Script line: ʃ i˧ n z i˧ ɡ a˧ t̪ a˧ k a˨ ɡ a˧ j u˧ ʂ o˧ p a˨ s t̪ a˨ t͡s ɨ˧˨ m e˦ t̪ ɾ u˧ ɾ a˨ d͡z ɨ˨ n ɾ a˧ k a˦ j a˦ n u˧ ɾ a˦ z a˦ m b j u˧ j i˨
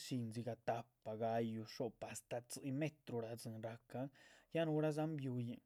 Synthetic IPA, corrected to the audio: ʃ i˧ n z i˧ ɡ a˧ t̪ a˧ p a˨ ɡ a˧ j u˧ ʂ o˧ p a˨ s t̪ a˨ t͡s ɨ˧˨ m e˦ t̪ ɾ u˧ ɾ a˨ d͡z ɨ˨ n ɾ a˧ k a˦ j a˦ n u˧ ɾ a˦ z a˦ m b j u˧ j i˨